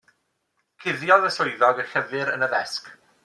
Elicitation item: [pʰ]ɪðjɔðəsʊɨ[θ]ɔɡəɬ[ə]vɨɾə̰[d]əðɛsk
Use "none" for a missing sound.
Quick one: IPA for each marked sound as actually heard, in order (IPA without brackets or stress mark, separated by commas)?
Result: kʰ, ð, ə, n